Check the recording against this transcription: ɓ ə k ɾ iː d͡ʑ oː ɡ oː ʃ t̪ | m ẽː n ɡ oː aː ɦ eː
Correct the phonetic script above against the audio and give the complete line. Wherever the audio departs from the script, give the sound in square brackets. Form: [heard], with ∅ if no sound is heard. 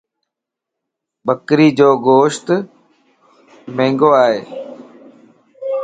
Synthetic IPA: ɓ ə k ɾ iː d͡ʑ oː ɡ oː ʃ t̪ | m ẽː [ŋ] ɡ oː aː ɦ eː

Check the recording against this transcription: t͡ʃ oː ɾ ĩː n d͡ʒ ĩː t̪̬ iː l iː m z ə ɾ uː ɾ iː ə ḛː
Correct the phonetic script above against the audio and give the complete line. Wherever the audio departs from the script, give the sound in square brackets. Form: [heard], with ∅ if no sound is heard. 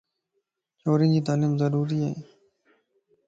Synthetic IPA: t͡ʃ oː ɾ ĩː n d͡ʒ [iː] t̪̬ [aː] l iː m z ə ɾ uː ɾ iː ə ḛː

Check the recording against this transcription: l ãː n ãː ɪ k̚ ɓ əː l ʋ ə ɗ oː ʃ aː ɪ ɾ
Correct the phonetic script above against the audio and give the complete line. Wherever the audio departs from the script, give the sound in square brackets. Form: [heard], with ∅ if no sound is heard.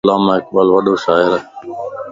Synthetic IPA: l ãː [m] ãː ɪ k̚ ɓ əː l ʋ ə ɗ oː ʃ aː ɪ ɾ

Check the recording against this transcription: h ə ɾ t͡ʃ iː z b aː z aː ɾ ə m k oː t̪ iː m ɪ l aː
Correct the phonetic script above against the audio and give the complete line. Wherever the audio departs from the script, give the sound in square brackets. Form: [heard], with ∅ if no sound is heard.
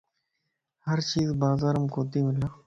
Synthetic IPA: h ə ɾ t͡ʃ iː z b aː z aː ɾ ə m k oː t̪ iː m ɪ l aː

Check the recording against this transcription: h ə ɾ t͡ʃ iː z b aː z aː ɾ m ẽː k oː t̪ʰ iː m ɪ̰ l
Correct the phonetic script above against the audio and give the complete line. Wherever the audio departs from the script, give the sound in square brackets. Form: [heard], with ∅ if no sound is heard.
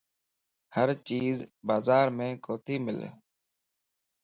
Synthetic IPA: h ə ɾ t͡ʃ iː z b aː z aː ɾ m ẽː k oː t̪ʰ iː m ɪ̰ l

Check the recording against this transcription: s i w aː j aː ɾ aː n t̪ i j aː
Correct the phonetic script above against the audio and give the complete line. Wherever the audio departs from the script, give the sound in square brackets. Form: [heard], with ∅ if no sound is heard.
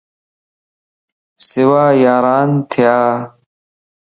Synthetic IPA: s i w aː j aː ɾ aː n [t̪ʰ] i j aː

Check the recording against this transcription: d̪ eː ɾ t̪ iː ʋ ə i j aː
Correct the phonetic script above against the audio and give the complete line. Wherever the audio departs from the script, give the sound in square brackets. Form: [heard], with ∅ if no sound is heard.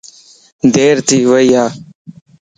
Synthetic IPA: d̪ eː ɾ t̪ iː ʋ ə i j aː

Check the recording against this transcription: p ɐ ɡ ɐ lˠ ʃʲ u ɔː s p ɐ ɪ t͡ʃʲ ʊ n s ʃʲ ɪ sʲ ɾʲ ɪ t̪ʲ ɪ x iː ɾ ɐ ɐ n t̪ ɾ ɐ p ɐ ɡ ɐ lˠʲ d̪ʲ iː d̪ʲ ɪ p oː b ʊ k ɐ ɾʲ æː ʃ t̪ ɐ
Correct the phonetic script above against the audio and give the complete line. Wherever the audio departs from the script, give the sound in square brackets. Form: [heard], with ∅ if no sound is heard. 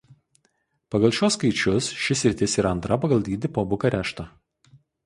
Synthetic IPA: p ɐ ɡ ɐ lˠ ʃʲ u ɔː s [k] ɐ ɪ t͡ʃʲ ʊ [∅] s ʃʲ ɪ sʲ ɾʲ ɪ t̪ʲ ɪ [s] iː ɾ ɐ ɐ n t̪ ɾ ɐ p ɐ ɡ ɐ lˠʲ d̪ʲ iː d̪ʲ ɪ p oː b ʊ k ɐ ɾʲ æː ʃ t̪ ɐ

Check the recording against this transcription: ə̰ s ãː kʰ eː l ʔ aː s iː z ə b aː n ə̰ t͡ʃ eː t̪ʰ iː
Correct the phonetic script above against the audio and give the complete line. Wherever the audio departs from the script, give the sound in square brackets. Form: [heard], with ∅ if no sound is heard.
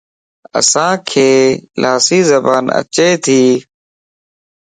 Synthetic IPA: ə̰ s ãː kʰ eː l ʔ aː s iː z ə b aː n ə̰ t͡ʃ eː t̪ʰ iː

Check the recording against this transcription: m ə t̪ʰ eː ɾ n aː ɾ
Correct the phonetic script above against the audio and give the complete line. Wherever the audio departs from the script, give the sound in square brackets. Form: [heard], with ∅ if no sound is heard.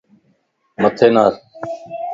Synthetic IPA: m ə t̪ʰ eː [∅] n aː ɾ

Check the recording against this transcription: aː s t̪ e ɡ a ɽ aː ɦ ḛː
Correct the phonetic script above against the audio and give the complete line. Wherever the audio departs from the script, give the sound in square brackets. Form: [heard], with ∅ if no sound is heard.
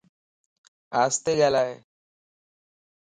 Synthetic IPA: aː s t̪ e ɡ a [l] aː ɦ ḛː

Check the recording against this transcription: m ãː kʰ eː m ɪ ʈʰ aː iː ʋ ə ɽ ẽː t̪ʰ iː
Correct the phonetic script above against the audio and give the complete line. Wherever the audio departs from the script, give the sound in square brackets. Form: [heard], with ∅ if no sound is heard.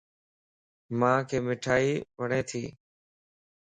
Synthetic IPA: m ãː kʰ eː m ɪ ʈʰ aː iː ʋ ə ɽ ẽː t̪ʰ iː

